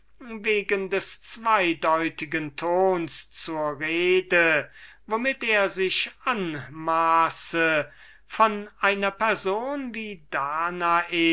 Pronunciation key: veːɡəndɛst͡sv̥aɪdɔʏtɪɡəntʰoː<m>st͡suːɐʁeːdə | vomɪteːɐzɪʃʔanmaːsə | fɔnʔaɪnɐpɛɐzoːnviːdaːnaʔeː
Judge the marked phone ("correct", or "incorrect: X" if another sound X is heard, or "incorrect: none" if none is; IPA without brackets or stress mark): incorrect: n